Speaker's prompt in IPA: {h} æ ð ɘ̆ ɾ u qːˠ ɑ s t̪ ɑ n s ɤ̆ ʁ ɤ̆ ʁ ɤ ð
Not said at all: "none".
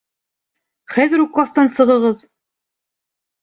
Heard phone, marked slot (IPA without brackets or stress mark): χ